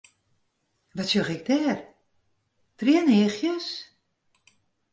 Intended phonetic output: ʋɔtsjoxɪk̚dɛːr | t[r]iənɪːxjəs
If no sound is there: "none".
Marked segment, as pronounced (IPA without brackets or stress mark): r